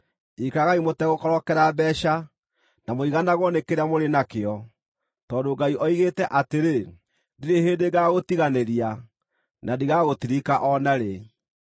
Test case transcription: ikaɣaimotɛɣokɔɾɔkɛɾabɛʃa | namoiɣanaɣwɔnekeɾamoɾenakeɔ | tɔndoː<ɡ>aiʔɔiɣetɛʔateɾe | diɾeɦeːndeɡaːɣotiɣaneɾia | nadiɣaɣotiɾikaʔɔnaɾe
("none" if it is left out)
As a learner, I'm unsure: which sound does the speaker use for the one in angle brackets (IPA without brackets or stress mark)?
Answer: ɡ